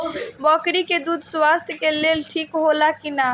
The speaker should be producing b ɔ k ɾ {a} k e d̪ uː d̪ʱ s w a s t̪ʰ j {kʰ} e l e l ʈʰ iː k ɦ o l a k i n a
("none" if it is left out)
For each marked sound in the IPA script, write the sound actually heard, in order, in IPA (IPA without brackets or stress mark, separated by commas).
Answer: i, k